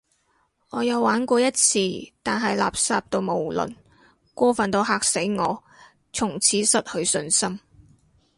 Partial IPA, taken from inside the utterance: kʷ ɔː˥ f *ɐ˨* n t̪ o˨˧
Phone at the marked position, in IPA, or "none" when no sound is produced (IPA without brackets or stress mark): ɐ˨